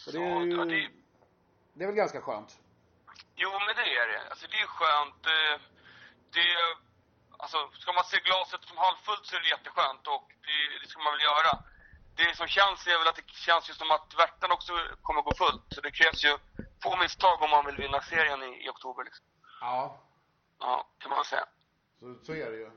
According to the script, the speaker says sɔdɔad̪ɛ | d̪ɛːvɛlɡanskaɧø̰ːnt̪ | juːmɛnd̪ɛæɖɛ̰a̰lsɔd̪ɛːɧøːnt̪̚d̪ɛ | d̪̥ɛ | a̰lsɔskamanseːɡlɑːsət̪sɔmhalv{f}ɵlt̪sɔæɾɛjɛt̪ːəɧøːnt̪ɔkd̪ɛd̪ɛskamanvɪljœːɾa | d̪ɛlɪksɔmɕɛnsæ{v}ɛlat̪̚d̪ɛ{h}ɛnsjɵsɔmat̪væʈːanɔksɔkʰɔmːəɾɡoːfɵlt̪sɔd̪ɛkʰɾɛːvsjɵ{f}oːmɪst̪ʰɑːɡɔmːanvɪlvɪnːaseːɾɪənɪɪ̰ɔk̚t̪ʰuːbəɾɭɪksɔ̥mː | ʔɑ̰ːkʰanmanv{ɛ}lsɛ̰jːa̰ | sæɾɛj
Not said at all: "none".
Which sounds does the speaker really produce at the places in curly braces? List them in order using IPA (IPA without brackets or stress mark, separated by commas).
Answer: f, v, ɕ, f, ɛ